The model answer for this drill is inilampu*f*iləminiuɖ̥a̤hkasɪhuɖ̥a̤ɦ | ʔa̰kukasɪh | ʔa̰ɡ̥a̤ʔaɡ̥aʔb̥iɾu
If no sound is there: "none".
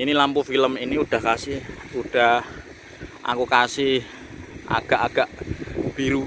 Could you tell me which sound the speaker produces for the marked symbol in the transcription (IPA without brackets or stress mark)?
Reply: f